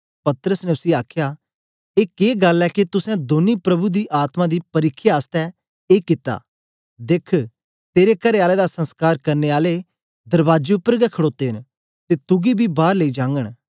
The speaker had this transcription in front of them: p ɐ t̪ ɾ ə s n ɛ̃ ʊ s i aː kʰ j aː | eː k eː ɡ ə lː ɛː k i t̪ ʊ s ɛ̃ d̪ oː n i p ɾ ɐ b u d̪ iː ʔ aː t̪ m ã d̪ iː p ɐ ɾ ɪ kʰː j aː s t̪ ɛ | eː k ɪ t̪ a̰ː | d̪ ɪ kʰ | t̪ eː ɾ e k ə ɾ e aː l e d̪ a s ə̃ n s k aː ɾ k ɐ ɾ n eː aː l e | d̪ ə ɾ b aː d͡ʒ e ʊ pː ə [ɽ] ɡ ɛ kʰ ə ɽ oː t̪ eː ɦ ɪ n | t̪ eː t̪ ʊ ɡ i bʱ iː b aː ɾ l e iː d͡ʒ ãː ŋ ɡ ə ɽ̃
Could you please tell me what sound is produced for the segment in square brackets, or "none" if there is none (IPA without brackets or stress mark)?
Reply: ɾ